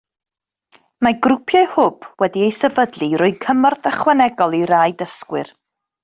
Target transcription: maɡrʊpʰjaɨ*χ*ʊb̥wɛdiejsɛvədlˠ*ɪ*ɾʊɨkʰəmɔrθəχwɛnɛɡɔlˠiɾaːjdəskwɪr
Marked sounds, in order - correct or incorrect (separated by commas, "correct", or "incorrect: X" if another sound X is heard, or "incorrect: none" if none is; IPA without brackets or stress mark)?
incorrect: h, incorrect: i